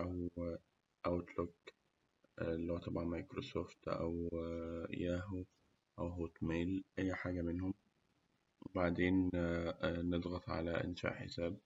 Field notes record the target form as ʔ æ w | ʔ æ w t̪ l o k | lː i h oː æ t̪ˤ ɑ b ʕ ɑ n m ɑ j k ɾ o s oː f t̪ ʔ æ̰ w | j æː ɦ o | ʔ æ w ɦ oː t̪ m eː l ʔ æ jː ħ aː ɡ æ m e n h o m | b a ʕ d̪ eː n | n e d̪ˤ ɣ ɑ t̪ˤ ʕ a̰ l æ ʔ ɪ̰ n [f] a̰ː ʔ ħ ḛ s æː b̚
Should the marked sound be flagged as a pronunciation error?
yes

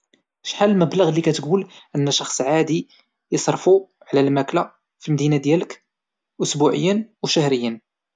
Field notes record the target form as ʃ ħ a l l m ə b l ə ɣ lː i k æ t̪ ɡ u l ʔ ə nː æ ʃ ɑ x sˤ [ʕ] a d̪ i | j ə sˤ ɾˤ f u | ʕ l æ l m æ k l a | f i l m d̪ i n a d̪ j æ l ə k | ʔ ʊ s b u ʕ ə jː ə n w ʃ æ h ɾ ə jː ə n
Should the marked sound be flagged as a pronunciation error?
no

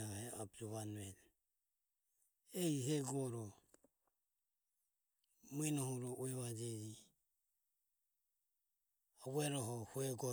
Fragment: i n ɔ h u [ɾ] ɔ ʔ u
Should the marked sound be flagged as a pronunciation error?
no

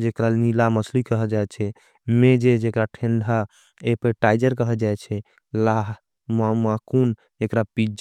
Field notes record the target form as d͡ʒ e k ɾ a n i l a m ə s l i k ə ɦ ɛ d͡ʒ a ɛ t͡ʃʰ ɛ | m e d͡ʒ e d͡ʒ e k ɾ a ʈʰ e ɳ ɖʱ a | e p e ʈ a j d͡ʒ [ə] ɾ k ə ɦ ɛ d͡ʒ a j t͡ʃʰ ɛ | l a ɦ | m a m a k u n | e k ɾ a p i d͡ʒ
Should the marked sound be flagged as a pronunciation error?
no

